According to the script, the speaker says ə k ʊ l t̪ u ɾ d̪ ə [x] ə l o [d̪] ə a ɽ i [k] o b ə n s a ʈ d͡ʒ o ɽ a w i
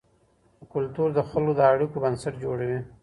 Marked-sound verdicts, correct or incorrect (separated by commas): correct, correct, correct